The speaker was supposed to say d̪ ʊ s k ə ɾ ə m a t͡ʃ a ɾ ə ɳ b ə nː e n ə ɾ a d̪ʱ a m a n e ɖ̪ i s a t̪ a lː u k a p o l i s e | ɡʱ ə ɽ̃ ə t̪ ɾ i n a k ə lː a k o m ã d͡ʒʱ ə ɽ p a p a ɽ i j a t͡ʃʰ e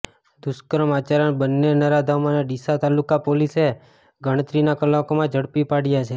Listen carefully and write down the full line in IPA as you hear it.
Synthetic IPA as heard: d̪ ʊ s k ə ɾ ə m a t͡ʃ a ɾ ə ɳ b ə nː e n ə ɾ a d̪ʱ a m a n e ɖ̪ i s a t̪ a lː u k a p o l i s e | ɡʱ ə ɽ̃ ə t̪ ɾ i n a k ə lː a k o m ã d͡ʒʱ ə ɽ p i p a ɽ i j a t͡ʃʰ e